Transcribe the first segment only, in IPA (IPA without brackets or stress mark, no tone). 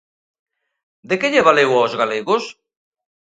d̪